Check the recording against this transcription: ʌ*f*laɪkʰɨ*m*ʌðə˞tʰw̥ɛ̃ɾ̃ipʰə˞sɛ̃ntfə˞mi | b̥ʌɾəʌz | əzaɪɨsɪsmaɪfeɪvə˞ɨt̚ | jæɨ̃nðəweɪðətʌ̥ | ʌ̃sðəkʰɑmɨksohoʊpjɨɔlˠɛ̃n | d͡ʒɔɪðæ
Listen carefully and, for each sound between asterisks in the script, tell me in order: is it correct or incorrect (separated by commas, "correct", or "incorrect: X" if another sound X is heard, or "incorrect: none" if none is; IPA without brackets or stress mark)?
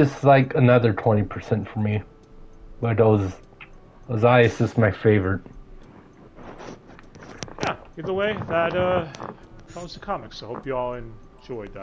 incorrect: s, incorrect: n